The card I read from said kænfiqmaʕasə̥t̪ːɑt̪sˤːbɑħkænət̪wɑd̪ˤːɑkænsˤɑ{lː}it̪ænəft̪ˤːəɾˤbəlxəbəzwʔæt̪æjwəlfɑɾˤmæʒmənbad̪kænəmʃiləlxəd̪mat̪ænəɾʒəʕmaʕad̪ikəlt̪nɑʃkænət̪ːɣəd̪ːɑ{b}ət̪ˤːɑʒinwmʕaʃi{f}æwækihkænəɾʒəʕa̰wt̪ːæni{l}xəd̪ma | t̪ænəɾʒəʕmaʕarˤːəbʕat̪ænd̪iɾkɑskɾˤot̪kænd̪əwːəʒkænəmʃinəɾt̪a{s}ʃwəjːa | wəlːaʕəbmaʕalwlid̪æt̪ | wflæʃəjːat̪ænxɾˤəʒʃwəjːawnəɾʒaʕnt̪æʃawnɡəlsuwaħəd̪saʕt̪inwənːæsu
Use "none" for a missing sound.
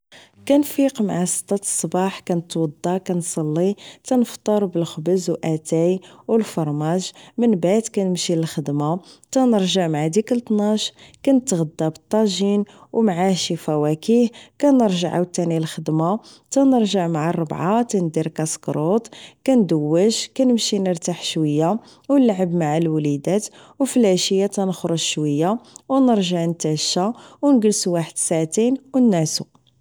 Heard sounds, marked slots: lː, b, f, l, ħ

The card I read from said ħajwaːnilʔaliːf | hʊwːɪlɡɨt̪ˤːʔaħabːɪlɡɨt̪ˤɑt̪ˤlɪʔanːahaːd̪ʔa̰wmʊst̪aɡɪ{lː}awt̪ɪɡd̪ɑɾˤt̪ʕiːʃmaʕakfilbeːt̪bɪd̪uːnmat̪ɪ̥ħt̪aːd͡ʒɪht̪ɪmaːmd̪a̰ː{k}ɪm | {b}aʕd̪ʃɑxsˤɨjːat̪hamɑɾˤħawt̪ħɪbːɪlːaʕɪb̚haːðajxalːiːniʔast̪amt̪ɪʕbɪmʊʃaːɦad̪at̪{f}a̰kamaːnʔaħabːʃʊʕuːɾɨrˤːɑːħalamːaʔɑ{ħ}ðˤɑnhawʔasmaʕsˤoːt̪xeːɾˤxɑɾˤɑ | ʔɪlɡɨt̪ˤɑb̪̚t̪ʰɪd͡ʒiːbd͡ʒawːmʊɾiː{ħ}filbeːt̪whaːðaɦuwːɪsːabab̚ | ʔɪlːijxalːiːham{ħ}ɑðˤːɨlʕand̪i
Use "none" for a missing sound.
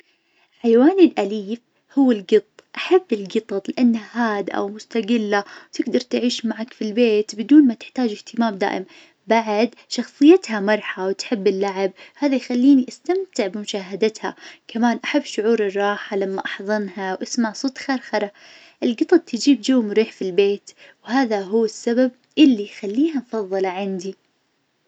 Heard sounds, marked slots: lː, ʔ, b, h, ħ, ħ, f

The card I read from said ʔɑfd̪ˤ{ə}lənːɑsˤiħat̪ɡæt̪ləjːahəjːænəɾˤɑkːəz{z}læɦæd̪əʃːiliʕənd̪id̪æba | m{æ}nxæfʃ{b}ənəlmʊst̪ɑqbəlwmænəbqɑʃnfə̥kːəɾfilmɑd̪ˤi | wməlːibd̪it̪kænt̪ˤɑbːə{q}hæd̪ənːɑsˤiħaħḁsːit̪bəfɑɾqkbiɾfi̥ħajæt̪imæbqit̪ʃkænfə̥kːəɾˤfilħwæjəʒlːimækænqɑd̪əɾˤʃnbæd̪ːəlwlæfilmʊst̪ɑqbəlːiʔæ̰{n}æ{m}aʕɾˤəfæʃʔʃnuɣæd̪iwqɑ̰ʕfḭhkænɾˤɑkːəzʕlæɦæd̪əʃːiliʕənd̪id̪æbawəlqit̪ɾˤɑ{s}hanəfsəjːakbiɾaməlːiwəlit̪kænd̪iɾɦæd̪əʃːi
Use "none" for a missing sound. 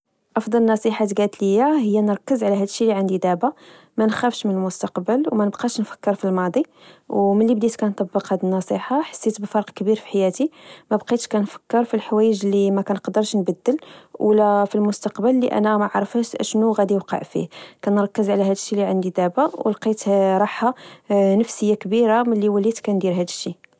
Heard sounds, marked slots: ɑ, ʕ, æ, m, q, n, m, ħ

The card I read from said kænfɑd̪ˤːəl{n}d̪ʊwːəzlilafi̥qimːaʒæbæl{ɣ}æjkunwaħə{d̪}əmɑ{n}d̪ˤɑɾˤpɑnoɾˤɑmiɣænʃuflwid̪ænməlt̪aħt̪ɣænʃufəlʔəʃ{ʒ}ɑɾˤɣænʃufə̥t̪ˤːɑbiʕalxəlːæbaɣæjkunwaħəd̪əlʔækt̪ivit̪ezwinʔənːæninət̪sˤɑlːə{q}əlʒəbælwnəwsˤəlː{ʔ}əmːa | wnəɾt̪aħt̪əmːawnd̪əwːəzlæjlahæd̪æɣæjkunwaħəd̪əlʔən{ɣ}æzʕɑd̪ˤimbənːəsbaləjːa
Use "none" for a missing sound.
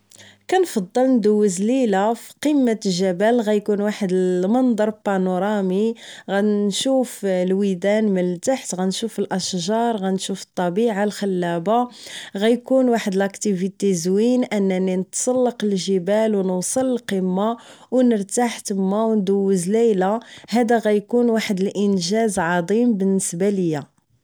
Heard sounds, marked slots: n, ɣ, d̪, n, ʒ, q, q, ʒ

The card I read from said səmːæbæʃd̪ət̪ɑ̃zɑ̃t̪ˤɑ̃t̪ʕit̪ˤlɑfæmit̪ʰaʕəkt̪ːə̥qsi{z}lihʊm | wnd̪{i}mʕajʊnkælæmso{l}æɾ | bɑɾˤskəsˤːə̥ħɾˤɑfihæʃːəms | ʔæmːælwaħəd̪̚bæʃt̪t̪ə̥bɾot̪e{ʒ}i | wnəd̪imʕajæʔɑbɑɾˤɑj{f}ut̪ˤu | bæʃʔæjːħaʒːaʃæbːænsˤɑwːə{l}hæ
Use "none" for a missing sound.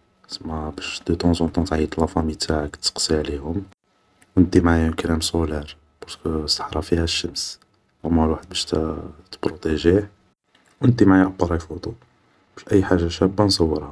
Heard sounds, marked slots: ʕ, i, l, ʒ, f, ɾ

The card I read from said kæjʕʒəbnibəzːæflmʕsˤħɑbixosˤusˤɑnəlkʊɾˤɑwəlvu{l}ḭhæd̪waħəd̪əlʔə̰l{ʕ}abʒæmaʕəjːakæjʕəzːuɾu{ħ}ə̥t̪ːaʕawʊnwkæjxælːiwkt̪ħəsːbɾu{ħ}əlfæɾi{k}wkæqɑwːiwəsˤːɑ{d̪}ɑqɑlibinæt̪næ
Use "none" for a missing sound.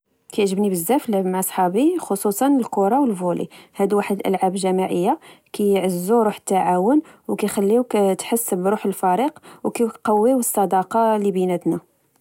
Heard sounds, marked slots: l, ʕ, ħ, ħ, q, d̪

